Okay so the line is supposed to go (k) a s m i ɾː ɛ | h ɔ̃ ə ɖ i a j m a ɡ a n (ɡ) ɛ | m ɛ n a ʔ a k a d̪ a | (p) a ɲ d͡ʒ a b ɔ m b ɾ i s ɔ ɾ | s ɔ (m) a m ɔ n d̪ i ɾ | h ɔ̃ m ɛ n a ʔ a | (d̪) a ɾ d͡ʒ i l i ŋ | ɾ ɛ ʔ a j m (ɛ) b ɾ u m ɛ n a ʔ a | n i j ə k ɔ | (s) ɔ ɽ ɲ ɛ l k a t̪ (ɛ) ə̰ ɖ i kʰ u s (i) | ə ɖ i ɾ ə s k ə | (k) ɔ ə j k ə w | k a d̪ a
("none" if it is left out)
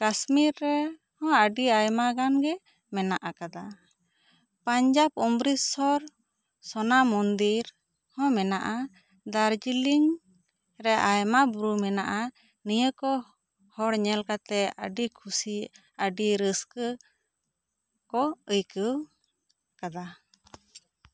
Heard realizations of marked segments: k, ɡ, p, n, d̪, a, h, ɛ, i, k

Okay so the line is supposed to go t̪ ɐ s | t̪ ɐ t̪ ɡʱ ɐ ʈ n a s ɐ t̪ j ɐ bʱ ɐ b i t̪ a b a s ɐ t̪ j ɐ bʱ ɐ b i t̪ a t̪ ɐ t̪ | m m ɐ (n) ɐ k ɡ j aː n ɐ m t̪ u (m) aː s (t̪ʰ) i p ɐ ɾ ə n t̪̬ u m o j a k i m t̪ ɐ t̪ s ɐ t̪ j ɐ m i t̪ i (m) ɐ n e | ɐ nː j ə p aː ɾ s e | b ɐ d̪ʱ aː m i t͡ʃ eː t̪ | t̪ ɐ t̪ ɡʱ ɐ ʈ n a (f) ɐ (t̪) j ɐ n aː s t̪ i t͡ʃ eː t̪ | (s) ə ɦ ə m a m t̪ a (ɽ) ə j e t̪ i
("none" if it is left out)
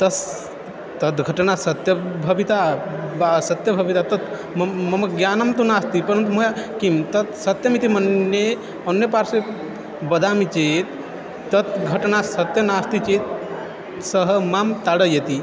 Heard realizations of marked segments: m, n, t̪, m, s, t̪, s, ɽ

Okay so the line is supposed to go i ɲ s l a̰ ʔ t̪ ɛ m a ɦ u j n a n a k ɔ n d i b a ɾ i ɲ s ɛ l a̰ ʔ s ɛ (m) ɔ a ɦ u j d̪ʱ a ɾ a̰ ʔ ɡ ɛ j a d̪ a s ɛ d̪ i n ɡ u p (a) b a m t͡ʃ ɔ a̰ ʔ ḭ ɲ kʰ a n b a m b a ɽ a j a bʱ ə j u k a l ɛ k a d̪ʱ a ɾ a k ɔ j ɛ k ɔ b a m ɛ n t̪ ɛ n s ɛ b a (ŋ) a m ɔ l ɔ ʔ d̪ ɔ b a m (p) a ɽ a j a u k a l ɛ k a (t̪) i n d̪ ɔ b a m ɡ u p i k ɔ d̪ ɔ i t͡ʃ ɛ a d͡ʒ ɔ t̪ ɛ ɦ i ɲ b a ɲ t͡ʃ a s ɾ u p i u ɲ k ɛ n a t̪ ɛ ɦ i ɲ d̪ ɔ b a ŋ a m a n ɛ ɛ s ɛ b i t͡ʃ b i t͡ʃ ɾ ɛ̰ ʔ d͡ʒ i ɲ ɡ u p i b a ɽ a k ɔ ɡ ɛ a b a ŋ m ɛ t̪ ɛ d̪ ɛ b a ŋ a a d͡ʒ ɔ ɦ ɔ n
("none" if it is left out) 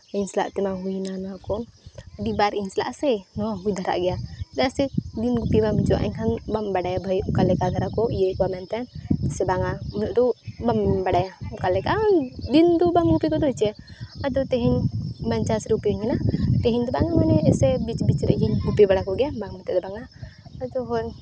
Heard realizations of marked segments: n, i, ŋ, b, d̪

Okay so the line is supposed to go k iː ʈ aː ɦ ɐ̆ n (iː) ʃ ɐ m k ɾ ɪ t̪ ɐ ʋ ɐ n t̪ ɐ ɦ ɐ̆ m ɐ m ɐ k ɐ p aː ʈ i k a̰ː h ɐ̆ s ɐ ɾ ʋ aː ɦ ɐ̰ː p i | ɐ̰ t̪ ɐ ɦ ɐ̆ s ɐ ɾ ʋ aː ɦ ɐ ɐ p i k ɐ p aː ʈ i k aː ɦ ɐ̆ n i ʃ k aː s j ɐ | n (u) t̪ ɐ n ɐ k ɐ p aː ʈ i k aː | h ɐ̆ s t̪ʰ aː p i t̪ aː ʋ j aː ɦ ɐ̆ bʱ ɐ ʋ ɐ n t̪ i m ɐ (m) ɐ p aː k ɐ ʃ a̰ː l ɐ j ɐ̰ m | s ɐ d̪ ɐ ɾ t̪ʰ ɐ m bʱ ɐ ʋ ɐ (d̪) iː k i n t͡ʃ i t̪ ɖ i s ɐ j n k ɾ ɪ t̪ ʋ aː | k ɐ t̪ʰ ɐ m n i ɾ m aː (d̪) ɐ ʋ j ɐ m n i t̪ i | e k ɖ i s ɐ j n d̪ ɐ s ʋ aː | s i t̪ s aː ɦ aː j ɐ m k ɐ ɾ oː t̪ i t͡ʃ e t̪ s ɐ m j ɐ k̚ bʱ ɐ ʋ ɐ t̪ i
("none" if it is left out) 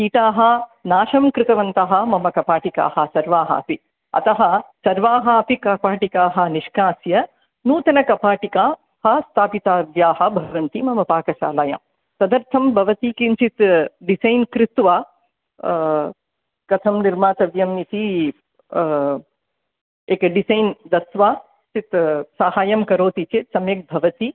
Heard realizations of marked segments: aː, uː, m, t̪, t̪

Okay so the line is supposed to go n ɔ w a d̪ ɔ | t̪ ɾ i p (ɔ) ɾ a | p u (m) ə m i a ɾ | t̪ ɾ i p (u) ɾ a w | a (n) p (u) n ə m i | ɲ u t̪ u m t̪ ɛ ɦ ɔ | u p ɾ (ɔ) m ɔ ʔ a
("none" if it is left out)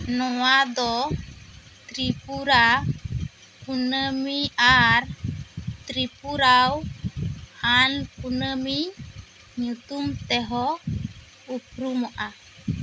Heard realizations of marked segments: u, n, u, n, u, u

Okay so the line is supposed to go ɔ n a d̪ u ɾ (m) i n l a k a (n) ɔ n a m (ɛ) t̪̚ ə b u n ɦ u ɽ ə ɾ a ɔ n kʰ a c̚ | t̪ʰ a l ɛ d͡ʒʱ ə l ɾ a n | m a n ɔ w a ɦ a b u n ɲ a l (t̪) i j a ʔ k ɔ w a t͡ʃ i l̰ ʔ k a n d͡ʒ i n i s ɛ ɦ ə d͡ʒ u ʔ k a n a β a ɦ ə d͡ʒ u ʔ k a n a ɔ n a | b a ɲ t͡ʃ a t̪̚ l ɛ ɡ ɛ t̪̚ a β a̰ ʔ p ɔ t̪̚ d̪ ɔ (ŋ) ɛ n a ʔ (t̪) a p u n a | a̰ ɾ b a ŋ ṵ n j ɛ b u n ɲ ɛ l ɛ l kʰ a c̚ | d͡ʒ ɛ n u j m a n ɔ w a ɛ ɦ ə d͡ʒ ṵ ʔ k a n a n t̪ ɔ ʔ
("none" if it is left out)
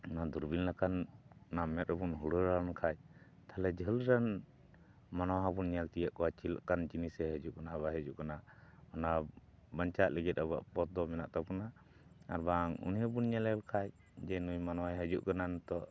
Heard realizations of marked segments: b, n, ɛ, t̪, m, t̪

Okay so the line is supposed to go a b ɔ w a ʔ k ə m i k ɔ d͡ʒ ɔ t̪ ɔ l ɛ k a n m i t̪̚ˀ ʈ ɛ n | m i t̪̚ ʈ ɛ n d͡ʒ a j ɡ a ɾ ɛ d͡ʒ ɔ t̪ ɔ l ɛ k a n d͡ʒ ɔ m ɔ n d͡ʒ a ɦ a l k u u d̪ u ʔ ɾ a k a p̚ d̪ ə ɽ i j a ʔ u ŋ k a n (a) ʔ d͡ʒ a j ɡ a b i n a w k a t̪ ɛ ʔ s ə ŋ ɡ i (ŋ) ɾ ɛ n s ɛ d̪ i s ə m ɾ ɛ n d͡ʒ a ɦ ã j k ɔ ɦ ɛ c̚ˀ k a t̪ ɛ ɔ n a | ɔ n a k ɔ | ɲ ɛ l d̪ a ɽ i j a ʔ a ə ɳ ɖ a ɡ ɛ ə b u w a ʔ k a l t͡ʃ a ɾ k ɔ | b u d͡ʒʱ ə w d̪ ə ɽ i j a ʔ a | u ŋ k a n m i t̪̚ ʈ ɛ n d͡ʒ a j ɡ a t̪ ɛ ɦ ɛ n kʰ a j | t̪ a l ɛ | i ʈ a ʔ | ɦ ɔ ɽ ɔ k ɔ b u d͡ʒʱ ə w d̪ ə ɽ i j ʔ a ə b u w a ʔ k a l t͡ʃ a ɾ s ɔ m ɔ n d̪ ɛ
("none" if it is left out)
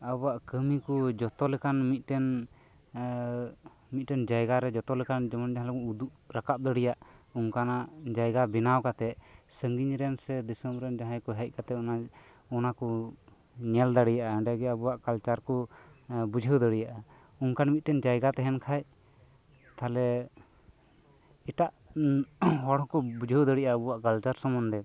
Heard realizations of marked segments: a, ɲ

